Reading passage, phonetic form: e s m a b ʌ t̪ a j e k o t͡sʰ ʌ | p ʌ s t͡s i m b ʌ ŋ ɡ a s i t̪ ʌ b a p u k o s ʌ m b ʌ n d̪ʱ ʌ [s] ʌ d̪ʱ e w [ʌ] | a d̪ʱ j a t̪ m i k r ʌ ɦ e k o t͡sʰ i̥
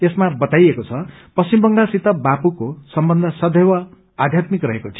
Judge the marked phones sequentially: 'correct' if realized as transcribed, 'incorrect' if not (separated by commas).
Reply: correct, correct